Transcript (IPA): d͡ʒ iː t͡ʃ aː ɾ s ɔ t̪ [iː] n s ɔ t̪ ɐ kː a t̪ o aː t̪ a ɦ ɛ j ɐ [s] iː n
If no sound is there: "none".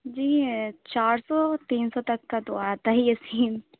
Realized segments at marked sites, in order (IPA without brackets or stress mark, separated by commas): iː, s